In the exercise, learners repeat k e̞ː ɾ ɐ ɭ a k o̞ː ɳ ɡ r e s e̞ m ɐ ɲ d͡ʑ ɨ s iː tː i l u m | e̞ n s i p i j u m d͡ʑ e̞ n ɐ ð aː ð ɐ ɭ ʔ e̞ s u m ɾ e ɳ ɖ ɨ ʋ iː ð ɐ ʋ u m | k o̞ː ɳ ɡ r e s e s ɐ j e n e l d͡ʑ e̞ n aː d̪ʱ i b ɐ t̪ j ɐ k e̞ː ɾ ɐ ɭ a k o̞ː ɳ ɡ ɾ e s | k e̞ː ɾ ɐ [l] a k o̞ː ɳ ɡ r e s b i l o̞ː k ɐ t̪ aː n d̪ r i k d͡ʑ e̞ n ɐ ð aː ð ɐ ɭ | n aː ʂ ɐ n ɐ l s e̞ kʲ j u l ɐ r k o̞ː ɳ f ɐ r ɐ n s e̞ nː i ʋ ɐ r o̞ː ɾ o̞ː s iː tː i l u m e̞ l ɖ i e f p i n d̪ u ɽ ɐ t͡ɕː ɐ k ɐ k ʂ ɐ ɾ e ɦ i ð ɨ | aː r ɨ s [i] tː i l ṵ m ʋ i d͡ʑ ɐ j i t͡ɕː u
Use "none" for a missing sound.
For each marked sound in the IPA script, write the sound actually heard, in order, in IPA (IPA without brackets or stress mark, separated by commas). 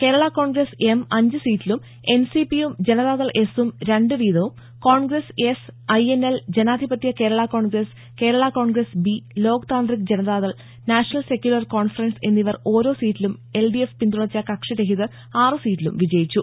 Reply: ɭ, iː